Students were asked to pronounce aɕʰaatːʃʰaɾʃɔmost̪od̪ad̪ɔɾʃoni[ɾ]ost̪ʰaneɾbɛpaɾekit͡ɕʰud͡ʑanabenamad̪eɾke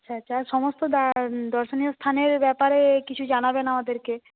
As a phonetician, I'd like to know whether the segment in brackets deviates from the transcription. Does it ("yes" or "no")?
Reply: yes